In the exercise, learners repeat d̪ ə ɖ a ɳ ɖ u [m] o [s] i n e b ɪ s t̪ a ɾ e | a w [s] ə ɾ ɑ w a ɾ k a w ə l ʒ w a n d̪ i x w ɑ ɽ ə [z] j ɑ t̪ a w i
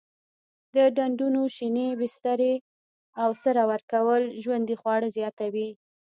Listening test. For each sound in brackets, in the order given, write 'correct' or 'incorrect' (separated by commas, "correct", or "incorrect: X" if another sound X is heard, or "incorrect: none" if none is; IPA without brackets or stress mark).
incorrect: n, incorrect: ʃ, correct, correct